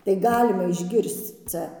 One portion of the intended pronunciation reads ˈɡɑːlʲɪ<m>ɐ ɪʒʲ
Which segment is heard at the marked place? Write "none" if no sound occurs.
m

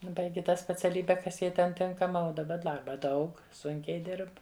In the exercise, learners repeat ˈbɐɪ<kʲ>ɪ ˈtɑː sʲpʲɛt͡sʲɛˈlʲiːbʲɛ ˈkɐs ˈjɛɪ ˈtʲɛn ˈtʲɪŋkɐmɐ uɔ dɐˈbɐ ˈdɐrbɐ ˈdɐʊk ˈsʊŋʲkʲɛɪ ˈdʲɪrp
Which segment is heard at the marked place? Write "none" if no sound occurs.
ɡʲ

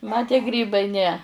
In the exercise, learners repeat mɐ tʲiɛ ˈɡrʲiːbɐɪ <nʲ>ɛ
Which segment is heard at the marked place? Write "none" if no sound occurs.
nʲ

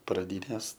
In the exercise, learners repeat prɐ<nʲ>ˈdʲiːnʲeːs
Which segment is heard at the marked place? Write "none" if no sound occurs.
none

